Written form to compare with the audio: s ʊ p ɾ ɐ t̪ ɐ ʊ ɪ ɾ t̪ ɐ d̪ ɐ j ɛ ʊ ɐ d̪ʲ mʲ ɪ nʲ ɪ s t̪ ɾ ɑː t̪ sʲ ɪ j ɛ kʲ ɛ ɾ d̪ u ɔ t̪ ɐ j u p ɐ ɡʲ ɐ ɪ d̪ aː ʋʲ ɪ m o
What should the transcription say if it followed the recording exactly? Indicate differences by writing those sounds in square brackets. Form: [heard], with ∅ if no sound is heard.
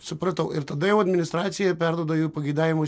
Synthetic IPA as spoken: s ʊ p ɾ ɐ t̪ ɐ ʊ ɪ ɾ t̪ ɐ d̪ ɐ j ɛ ʊ ɐ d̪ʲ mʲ ɪ nʲ ɪ s t̪ ɾ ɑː t̪ sʲ ɪ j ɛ [pʲ] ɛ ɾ d̪ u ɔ [d̪] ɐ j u p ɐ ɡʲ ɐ ɪ d̪ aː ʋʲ ɪ m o